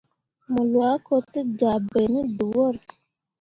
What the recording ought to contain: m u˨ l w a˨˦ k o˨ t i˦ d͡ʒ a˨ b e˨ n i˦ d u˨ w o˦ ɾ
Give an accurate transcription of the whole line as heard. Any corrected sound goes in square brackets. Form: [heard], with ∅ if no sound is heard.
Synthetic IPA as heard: m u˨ l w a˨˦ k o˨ t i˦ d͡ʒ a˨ b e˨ n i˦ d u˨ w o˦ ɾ